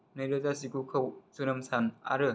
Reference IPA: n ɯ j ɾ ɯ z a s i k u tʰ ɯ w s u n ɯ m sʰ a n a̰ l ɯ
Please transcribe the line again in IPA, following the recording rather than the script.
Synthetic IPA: n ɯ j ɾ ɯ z a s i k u kʰ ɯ w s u n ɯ m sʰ a n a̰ ɾ ɯ

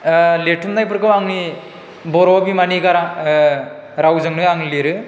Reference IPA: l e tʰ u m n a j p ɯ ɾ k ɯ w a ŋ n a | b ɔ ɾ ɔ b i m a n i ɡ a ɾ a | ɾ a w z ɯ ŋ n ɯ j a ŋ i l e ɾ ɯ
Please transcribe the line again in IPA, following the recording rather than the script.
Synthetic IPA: l e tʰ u m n a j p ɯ ɾ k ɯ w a ŋ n i | b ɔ ɾ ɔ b i m a n i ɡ a ɾ a | ɾ a w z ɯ ŋ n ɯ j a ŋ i l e ɾ ɯ

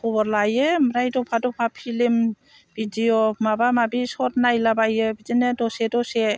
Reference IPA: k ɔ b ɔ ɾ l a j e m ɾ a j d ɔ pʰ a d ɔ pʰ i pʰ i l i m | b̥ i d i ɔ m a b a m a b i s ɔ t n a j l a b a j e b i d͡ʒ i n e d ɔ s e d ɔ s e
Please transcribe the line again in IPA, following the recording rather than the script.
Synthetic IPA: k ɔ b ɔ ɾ l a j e m ɾ a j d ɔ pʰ a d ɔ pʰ a pʰ i l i m | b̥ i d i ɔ m a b a m a b i s ɔ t n a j l a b a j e b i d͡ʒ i n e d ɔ s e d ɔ s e

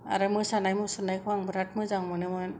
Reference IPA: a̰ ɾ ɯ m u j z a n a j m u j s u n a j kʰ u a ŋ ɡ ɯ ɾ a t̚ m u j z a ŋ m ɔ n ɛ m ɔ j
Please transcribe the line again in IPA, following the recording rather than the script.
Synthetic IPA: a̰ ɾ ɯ m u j s a n a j m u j s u n a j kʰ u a ŋ b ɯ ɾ a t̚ m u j z a ŋ m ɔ n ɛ m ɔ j

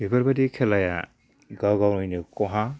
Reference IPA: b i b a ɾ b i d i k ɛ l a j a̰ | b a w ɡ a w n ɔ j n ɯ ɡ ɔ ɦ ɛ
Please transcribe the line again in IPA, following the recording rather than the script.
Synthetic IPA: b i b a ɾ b a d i kʰ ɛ l a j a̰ | ɡ a w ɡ a w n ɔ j n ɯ k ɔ ɦ a

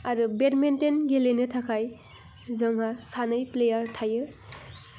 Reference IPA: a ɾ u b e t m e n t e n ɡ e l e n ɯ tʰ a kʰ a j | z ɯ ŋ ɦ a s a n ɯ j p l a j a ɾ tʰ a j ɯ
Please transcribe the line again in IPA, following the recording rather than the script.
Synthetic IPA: a ɾ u b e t m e n t e n ɡ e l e n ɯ tʰ a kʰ a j | z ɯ ŋ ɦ a s a n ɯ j p l e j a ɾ tʰ a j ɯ

